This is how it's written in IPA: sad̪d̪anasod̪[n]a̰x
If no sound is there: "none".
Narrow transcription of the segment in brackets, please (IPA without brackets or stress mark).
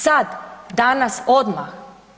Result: m